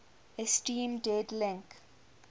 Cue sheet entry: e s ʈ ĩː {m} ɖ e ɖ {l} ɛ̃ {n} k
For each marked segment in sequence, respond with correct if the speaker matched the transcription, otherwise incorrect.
correct, correct, incorrect

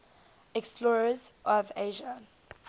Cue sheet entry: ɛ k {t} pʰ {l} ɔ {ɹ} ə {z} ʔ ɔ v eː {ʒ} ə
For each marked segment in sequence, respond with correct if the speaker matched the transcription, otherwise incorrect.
incorrect, correct, correct, correct, correct

